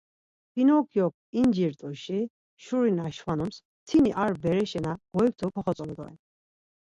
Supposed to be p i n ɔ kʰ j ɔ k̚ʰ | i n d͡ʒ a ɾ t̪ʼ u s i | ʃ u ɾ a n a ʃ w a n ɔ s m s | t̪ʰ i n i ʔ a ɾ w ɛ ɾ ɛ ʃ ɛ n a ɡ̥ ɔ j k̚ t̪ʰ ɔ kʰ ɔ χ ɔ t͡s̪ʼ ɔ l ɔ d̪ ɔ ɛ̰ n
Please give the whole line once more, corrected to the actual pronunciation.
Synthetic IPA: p i n ɔ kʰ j ɔ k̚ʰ | i n d͡ʒ i ɾ t̪ʼ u ʃ i | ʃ u ɾ i n a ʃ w a n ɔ m s | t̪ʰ i n i ʔ a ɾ b ɛ ɾ ɛ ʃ ɛ n a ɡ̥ ɔ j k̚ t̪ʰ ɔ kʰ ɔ χ ɔ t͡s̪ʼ ɔ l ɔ d̪ ɔ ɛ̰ n